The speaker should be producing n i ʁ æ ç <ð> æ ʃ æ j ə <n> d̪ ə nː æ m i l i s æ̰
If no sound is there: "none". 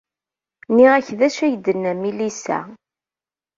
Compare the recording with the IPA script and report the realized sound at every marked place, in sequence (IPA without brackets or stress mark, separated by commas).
ð, none